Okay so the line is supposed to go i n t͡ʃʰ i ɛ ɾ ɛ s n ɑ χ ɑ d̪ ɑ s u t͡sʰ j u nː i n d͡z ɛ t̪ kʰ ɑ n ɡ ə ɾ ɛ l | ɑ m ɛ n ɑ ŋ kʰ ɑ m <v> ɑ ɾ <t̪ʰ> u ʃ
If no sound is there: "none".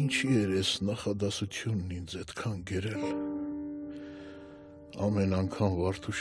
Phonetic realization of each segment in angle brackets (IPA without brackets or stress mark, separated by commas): v, t̪ʰ